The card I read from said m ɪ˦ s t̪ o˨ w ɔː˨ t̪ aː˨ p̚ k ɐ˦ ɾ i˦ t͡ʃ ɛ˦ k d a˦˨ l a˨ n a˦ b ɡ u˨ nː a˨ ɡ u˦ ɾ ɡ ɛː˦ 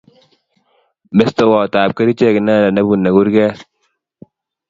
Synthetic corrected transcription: m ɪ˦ s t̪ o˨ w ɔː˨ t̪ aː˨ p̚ k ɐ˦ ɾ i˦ t͡ʃ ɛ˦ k n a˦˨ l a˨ n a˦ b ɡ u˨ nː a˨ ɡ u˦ ɾ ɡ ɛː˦